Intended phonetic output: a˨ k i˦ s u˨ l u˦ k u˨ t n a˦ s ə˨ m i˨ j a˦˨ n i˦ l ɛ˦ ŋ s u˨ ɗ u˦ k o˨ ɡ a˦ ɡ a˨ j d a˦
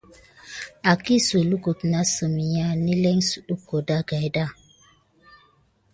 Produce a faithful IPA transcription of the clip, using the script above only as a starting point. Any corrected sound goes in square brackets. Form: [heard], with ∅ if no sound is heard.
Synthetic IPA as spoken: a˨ k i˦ s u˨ l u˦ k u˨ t n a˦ s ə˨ m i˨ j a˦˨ n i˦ l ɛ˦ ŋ s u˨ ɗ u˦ k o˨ [d] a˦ ɡ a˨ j d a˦